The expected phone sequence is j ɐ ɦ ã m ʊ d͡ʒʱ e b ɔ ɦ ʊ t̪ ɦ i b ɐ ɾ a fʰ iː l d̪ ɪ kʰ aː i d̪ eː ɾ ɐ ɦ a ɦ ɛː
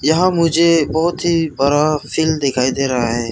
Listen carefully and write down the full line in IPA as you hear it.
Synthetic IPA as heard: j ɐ ɦ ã m ʊ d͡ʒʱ e b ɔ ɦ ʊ t̪ ɦ i b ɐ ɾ a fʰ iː l d̪ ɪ kʰ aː i d̪ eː ɾ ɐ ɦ a ɦ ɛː